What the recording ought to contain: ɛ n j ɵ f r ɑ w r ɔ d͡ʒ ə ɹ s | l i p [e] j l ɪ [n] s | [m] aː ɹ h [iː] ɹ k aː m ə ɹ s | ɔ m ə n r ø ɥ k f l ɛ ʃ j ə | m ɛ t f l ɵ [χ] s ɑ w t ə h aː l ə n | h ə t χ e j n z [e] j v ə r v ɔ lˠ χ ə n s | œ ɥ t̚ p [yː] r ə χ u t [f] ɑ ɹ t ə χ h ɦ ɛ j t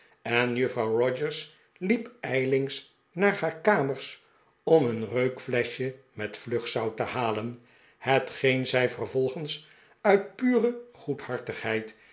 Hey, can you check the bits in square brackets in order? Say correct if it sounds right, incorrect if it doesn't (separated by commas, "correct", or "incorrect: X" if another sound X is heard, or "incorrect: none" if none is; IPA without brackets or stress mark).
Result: incorrect: ɛ, incorrect: ŋ, incorrect: n, incorrect: aː, correct, incorrect: ɛ, correct, incorrect: h